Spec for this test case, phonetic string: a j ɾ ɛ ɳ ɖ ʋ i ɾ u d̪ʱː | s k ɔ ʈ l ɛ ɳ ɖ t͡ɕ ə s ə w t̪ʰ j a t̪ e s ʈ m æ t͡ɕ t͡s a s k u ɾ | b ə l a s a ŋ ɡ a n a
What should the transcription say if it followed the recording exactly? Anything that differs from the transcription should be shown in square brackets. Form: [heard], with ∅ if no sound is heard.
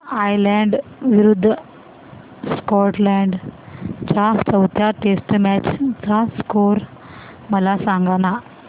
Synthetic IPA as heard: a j [l] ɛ ɳ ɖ ʋ i ɾ u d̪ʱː | s k ɔ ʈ l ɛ ɳ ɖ t͡ɕ [a] s ə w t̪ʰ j a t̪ e s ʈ m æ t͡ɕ t͡s a s k [o] ɾ | [m] ə l a s a ŋ ɡ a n a